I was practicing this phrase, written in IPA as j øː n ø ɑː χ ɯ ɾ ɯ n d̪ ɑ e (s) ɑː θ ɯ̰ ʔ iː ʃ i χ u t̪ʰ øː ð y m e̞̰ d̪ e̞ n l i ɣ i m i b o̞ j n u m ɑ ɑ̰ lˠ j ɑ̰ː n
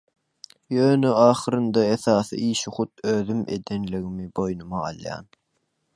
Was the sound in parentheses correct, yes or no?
no